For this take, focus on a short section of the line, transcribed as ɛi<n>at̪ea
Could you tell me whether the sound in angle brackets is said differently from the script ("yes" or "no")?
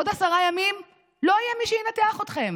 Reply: no